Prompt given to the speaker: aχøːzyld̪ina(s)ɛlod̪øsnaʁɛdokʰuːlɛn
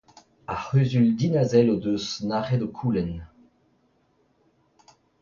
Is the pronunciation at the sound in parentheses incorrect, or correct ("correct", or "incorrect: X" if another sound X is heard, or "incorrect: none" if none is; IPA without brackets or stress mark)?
incorrect: z